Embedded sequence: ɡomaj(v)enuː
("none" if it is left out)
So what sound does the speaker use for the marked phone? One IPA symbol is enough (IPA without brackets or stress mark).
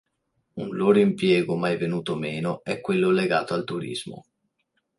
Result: v